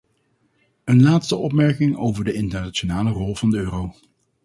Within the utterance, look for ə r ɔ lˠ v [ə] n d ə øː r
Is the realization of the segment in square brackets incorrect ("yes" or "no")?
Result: yes